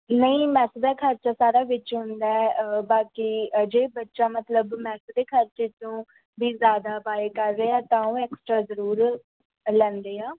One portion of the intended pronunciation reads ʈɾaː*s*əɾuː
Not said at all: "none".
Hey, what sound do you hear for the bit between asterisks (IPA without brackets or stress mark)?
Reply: z